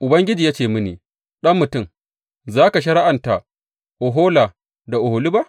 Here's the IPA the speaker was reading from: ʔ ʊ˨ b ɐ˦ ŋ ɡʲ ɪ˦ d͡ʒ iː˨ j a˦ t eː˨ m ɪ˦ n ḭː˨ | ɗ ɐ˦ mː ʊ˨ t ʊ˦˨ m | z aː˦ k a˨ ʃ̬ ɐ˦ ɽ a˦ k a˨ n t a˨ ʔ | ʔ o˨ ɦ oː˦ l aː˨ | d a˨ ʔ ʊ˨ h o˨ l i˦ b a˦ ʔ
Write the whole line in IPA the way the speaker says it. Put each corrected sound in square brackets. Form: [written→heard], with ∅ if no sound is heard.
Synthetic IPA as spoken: ʔ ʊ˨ b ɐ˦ ŋ ɡʲ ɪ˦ d͡ʒ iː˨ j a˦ [t→t͡ʃ] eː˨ m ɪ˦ n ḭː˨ | ɗ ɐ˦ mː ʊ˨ t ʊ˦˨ m | z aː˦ k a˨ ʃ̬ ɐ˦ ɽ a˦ [k→ʔ] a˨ n t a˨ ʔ | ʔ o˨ ɦ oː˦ l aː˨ | d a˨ ʔ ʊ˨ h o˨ l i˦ b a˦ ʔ